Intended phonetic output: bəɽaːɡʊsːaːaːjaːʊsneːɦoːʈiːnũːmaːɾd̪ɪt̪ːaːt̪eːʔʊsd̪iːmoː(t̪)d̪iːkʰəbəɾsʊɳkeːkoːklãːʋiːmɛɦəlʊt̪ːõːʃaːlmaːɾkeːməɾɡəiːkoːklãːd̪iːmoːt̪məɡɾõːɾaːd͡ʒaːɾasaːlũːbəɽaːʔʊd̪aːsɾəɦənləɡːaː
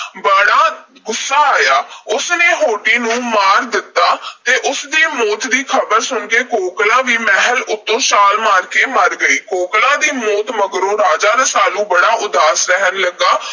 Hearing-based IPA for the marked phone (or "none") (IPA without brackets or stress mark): t̪